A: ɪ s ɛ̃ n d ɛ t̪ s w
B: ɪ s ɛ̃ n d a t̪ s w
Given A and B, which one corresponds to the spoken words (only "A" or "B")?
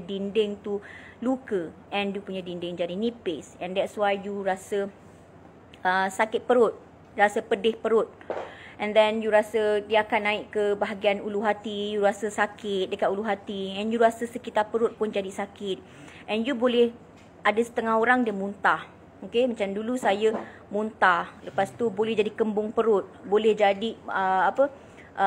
A